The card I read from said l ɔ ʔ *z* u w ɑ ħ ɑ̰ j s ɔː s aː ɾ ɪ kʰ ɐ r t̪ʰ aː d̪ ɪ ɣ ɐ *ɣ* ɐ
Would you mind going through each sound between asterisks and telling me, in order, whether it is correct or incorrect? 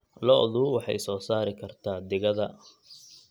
incorrect, incorrect

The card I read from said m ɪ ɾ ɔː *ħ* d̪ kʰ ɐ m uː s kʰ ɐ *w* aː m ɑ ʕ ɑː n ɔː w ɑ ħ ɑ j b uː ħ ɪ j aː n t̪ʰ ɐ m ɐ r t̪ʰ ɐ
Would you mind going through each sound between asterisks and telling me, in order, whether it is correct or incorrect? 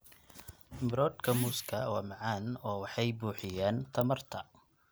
incorrect, correct

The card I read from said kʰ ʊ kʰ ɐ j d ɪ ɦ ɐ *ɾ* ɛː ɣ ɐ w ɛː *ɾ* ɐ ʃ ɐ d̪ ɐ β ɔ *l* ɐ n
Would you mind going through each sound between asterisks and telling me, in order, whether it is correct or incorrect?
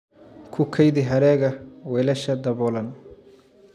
correct, incorrect, correct

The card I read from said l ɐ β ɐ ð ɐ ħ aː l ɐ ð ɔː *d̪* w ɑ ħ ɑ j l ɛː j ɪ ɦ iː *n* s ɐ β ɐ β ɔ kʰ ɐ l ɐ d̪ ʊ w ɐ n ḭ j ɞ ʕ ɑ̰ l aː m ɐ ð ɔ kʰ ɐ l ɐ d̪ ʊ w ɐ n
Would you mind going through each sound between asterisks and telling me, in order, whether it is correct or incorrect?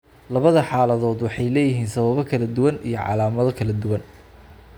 correct, correct

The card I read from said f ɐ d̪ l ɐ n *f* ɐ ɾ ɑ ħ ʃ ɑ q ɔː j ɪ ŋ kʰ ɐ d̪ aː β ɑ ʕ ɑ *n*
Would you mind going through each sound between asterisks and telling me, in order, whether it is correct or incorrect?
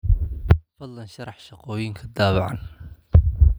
incorrect, correct

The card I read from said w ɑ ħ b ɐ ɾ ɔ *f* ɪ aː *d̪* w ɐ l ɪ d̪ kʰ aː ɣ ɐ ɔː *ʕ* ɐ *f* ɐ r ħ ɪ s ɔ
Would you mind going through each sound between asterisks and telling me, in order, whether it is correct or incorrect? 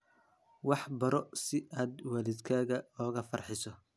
incorrect, correct, incorrect, correct

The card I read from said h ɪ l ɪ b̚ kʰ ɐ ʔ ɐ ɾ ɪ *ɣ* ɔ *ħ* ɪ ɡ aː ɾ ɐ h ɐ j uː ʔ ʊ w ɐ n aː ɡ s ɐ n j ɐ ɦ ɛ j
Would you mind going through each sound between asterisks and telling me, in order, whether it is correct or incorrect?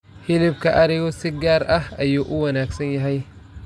correct, incorrect

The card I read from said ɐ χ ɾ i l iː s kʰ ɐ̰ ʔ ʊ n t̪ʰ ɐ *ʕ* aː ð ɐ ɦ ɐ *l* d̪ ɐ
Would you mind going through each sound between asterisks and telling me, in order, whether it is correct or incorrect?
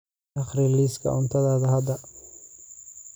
incorrect, incorrect

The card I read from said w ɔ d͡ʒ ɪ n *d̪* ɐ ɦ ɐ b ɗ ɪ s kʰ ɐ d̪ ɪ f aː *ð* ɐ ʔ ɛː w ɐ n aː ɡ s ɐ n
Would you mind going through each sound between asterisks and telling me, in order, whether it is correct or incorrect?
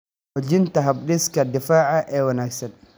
incorrect, incorrect

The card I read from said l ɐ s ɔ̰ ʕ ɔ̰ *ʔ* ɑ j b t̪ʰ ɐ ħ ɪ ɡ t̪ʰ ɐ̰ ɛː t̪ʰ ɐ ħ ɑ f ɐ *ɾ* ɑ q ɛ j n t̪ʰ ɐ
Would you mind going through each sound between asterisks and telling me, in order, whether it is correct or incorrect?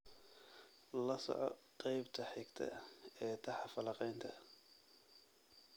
incorrect, incorrect

